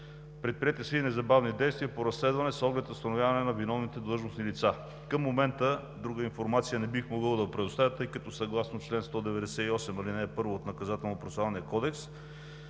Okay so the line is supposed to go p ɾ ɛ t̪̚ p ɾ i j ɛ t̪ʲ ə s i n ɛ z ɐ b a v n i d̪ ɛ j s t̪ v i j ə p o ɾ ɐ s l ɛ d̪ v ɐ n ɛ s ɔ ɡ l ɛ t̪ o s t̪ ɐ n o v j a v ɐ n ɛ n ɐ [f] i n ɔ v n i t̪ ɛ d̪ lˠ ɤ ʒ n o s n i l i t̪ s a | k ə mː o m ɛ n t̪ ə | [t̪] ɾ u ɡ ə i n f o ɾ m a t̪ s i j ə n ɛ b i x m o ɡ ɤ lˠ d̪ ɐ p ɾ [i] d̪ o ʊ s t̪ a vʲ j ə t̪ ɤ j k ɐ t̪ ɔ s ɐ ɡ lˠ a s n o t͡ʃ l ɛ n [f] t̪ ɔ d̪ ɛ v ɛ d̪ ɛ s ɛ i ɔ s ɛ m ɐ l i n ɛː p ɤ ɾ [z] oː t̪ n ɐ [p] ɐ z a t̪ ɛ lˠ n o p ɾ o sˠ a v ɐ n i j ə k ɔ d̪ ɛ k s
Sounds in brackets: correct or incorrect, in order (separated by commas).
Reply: incorrect, incorrect, incorrect, incorrect, incorrect, incorrect